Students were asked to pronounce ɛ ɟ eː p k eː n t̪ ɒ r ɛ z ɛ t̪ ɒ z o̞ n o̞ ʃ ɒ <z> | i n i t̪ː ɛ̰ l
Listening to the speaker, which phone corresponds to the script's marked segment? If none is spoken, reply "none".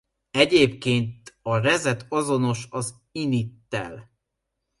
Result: z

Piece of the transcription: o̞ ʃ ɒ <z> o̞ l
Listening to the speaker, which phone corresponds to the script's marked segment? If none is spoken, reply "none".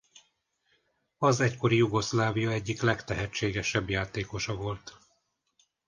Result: v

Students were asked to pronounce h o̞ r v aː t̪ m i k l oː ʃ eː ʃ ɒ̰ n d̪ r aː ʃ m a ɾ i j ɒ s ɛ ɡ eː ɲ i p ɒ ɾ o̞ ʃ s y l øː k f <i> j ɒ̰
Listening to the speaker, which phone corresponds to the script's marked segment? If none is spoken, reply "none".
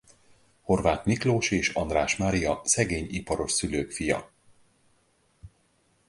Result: i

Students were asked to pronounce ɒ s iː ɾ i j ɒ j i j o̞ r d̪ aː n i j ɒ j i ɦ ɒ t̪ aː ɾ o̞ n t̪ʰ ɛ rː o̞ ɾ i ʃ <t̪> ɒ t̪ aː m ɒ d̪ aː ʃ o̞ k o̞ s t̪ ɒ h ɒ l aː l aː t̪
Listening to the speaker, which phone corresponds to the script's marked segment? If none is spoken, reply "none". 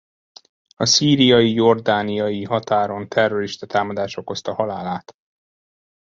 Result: t̪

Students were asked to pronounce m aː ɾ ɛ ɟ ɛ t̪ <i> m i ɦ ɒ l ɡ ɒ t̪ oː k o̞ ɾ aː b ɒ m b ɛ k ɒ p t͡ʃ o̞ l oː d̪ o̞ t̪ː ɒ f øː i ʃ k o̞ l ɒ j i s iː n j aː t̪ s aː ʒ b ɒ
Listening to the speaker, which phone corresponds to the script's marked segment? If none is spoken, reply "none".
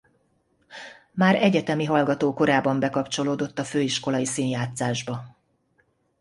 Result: ɛ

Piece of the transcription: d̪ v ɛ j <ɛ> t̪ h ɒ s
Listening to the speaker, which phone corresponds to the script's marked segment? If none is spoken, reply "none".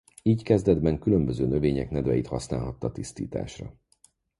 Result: i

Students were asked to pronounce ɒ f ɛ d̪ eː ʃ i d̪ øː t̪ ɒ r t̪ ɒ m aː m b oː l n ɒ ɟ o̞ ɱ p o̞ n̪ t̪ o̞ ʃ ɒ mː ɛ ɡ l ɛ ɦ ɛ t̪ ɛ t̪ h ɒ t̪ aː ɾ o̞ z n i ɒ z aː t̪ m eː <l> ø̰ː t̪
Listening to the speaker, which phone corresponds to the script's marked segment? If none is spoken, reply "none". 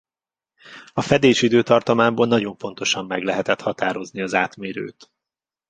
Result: ɾ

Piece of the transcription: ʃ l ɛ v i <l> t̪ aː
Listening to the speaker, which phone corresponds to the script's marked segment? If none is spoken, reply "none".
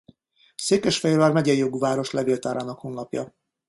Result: l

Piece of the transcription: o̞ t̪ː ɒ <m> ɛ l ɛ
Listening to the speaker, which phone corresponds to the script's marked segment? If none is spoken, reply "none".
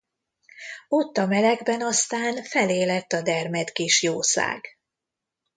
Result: m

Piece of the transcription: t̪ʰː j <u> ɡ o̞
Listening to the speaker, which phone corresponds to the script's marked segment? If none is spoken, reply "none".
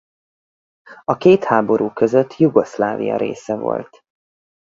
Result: u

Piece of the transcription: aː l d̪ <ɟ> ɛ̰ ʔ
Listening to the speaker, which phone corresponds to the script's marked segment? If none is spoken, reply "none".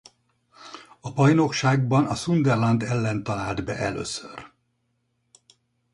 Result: b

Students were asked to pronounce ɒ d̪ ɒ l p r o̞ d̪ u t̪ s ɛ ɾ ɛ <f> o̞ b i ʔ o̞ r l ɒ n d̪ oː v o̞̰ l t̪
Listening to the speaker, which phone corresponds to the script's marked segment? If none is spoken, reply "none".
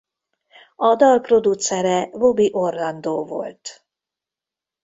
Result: v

